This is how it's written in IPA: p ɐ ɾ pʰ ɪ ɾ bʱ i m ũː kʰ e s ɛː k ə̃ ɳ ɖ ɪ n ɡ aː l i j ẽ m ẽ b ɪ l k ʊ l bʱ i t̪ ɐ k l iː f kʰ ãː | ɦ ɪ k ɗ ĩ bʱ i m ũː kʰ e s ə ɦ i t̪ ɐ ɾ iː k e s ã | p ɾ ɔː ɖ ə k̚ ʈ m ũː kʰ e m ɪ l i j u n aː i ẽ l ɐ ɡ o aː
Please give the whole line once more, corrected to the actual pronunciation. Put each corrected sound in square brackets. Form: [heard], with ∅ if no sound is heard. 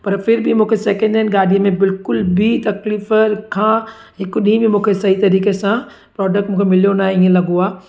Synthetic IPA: p ɐ ɾ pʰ ɪ ɾ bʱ i m ũː kʰ e s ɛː k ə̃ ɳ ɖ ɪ n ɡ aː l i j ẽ m ẽ b ɪ l k ʊ l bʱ i t̪ ɐ k l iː f kʰ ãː | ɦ ɪ k ɗ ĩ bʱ i m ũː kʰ e s [ɐ] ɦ i t̪ ɐ ɾ iː k e s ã | p ɾ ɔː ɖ ə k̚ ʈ m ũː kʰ e m ɪ l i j [o] n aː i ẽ l ɐ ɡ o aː